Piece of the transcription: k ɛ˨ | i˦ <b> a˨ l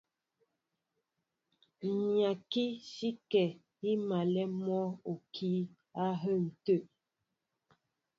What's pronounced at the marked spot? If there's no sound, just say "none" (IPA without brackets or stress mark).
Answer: m